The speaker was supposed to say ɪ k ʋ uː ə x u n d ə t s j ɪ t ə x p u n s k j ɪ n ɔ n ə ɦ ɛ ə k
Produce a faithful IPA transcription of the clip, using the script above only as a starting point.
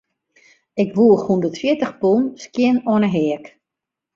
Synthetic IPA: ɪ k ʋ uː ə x u n d ə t f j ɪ t ə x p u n s k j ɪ n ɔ n ə ɦ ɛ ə k